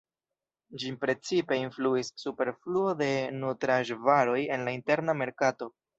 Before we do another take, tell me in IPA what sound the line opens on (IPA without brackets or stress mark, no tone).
d͡ʒ